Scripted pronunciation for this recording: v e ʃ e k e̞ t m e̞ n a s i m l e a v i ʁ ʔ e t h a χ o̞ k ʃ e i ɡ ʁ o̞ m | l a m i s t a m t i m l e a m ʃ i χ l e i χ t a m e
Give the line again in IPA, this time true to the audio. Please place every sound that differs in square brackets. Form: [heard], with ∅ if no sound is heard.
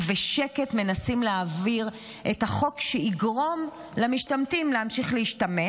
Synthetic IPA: v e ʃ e k e̞ t m e̞ n a s i m l e a v i ʁ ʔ e t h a χ o̞ k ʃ e i ɡ ʁ o̞ m | l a m i [ʃ] t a m t i m l e a m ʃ i χ l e i [ʃ] t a m e

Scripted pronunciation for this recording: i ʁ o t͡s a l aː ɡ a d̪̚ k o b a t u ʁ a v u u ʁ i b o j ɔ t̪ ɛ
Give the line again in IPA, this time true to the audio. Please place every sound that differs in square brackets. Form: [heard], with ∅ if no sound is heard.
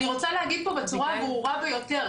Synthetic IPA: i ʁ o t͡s a l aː ɡ [i] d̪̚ [p] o b a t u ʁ a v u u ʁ [a] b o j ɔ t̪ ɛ

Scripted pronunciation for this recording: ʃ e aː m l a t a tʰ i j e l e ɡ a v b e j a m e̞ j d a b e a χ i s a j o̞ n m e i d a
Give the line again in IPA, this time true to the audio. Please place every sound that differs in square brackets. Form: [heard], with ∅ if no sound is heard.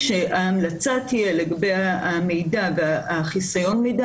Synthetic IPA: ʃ e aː m l a [t͡s] a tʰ i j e l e ɡ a [∅] b e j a m e̞ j d a [v] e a χ i s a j o̞ n m e [j] d a

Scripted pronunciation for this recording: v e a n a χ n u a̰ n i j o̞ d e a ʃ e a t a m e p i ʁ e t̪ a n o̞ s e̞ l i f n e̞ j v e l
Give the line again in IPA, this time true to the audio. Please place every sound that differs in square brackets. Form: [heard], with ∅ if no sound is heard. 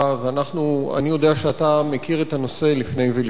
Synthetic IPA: v e a n a χ n u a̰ n i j o̞ d e a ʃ e a t a m e [k] i ʁ e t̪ a n o̞ s e̞ l i f n e̞ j v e l

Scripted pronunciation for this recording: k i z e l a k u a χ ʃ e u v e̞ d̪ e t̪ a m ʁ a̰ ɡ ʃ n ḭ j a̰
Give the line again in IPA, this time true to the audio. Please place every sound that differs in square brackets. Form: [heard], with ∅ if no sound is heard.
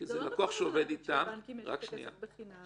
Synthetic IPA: k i z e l a k u a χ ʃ e [o] v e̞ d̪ [i] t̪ a m ʁ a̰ [k] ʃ n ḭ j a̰

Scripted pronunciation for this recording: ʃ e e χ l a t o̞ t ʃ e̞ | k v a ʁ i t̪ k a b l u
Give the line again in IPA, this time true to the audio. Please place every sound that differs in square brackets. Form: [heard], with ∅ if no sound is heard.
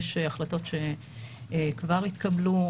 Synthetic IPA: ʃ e [a] χ l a t o̞ t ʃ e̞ | k v a ʁ i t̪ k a b l u

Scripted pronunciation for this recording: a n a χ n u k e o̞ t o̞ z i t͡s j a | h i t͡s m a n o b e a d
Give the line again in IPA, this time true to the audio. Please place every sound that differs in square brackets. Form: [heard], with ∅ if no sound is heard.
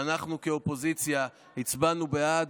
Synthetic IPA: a n a χ n u k e o̞ [p] o̞ z i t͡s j a | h i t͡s [b] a n [u] b e a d

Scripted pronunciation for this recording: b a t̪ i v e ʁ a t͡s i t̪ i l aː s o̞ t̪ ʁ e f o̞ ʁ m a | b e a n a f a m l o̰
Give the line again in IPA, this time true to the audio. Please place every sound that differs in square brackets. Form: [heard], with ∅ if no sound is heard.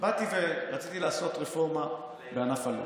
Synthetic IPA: b a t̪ i v e ʁ a t͡s i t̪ i l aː s o̞ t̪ ʁ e f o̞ ʁ m a | b e a n a f a [∅] l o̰

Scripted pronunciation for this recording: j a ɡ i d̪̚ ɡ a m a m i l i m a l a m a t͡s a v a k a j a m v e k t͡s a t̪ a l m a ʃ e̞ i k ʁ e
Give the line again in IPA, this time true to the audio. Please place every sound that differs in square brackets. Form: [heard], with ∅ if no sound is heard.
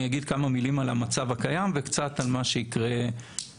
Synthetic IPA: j a ɡ i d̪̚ [k] a m a m i l i m a l a m a t͡s a v a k a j a m v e k t͡s a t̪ a l m a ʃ e̞ i k ʁ e

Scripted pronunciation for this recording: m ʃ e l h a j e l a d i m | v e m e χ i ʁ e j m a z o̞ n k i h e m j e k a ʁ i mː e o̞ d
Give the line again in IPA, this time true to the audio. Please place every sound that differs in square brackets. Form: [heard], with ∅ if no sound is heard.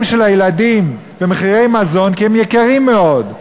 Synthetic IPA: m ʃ e l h a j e l a d i m | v e m e χ i ʁ e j m a z o̞ n k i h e m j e k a ʁ i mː e o̞ d

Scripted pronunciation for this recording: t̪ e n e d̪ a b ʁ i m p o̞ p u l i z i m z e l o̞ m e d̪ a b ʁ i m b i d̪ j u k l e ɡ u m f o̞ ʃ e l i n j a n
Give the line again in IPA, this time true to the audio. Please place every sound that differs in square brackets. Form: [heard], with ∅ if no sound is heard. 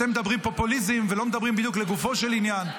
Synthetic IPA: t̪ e [m] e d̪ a b ʁ i m p o̞ p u l i z i m [v] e l o̞ m e d̪ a b ʁ i m b i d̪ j u k l e ɡ u [∅] f o̞ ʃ e l i n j a n

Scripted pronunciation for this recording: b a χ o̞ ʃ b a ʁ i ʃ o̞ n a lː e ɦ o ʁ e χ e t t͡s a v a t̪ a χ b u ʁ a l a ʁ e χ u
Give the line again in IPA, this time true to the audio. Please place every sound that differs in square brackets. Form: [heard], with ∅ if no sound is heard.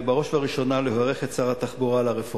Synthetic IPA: b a [ʁ] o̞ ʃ [v] a ʁ i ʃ o̞ n a [l] e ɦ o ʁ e χ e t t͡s a [ʁ] a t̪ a χ b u ʁ a l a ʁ e [f] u

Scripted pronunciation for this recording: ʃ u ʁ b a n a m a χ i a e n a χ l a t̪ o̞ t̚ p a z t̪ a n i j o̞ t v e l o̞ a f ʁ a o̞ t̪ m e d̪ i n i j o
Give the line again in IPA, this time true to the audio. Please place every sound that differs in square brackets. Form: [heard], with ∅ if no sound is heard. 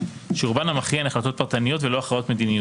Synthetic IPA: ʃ u ʁ b a n a m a χ i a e n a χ l a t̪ o̞ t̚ p a [ʁ] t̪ a n i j o̞ t v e l o̞ a [χ] ʁ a o̞ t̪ m e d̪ i n i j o

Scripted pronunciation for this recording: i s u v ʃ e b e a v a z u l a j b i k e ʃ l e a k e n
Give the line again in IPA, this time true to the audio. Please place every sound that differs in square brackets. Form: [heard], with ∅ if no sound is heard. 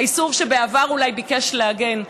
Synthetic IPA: i s u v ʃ e b e a v a [ʁ] u l a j b i k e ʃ l e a [ɡ] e n

